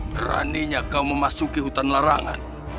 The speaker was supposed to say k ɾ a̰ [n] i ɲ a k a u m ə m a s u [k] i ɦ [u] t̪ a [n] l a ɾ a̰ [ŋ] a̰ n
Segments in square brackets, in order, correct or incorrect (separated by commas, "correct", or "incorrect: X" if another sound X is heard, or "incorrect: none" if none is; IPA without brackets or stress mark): correct, correct, correct, correct, correct